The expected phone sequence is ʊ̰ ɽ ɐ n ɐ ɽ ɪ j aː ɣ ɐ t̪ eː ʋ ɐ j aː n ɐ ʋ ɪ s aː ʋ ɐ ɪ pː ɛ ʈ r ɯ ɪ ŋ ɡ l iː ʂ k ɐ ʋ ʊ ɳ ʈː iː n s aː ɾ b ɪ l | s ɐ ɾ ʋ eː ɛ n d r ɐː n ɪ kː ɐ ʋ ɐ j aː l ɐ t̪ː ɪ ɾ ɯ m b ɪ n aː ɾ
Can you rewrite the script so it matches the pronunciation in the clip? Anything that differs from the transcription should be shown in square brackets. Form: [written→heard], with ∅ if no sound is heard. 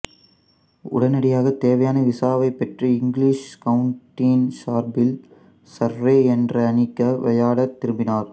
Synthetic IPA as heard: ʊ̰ ɽ ɐ n ɐ ɽ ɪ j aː ɣ ɐ t̪ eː ʋ ɐ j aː n ɐ ʋ ɪ s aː ʋ ɐ ɪ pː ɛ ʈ r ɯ ɪ ŋ ɡ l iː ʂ k ɐ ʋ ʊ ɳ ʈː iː n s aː ɾ b ɪ l | s ɐ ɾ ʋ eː ɛ n d r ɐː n ɪ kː ɐ ʋ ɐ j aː [l→ɽ] ɐ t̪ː ɪ ɾ ɯ m b ɪ n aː ɾ